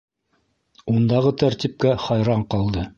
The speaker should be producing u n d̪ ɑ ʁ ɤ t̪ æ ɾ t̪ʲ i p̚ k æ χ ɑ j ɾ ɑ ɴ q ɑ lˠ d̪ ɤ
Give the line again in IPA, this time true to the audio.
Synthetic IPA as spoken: u n d̪ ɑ ʁ ɤ t̪ æ ɾ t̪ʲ i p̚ k æ χ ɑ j ɾ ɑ ɴ q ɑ lˠ d̪ ɤ